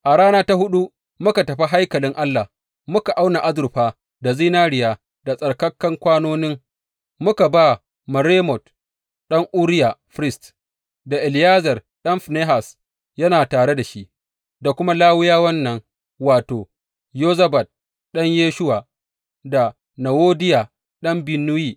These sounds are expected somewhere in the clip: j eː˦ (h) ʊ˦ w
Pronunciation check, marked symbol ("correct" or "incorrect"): incorrect